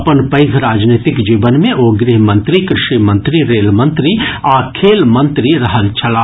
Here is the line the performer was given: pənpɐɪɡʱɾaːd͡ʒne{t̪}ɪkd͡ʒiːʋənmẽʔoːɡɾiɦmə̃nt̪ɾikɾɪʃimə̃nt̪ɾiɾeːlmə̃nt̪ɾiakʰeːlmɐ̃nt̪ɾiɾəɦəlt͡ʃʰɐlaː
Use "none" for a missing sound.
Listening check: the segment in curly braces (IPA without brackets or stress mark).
t̪